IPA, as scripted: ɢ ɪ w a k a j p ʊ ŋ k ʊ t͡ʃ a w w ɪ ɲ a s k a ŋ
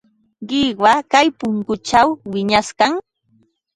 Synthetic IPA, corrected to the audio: ɢ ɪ w a k a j p ʊ ŋ k ʊ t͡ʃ a w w ɪ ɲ a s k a ŋ